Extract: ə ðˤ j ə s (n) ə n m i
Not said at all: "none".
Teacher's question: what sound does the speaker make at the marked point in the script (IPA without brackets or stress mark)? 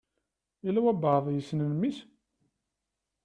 n